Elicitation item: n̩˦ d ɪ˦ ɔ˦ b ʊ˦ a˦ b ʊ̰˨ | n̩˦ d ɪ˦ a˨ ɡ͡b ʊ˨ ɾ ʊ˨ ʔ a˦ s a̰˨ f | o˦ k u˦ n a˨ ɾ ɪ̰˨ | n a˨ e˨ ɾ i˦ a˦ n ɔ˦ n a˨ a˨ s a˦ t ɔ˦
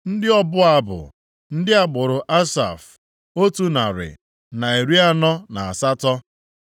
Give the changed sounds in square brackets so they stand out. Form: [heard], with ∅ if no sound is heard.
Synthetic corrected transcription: n̩˦ d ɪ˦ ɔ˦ b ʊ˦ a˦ b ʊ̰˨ | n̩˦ d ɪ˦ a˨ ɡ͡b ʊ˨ ɾ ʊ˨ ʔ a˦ s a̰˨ f | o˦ [t] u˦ n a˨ ɾ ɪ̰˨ | n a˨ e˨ ɾ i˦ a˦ n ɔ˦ n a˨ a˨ s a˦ t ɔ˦